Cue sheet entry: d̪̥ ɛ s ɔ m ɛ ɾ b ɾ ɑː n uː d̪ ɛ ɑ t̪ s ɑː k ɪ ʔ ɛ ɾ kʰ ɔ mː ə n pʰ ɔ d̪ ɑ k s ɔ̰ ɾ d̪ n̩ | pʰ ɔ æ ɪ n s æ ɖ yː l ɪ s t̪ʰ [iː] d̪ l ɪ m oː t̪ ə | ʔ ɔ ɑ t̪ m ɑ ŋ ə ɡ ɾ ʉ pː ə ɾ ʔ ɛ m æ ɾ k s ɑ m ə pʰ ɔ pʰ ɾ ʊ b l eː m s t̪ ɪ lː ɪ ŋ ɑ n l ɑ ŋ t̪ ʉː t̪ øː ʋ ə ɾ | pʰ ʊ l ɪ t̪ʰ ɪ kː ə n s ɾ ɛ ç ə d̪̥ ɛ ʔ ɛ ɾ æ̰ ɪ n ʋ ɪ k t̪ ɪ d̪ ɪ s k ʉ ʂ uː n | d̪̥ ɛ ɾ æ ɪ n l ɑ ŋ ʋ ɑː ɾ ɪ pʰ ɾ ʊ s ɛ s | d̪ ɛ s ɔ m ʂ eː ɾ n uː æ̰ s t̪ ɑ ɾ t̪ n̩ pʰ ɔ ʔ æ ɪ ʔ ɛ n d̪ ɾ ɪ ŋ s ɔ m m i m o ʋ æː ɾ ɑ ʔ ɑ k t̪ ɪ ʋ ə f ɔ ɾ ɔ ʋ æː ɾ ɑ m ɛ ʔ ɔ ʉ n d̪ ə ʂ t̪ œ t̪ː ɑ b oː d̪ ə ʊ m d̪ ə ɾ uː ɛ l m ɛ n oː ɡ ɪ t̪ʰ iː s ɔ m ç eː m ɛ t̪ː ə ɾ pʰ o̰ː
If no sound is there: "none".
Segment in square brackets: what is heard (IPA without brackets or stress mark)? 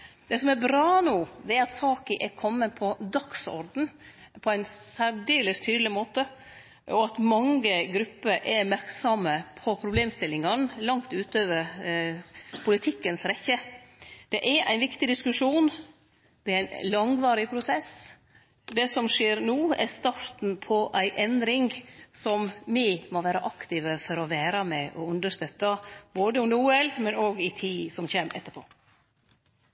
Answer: yː